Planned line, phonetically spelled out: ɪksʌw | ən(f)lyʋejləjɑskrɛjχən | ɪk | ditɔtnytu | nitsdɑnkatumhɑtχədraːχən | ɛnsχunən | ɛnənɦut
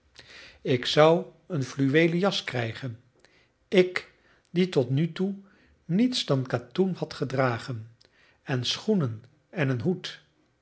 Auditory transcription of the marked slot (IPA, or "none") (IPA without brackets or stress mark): f